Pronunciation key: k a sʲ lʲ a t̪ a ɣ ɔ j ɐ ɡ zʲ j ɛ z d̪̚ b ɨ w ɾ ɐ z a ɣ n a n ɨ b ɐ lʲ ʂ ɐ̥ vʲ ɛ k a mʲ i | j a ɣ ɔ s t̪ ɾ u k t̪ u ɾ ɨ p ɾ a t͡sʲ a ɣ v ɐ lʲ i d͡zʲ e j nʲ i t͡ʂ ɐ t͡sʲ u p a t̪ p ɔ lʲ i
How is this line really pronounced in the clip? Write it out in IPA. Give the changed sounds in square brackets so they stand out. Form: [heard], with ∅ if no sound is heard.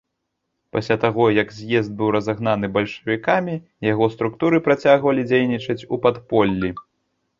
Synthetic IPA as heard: [p] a sʲ lʲ a t̪ a ɣ ɔ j ɐ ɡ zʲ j ɛ z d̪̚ b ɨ w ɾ ɐ z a ɣ n a n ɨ b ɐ lʲ ʂ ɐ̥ vʲ [i] k a mʲ i | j a ɣ ɔ s t̪ ɾ u k t̪ u ɾ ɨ p ɾ a t͡sʲ a ɣ v ɐ lʲ i d͡zʲ e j nʲ i t͡ʂ ɐ t͡sʲ u p a t̪ p ɔ [lʲː] i